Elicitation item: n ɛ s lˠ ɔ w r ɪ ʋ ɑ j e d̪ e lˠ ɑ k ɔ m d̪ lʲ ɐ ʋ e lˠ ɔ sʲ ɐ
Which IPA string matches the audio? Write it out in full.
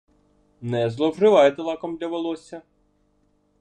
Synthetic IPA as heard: n ɛ z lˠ ɔ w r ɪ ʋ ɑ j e t̪ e lˠ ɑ k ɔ m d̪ lʲ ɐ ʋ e lˠ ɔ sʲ ɐ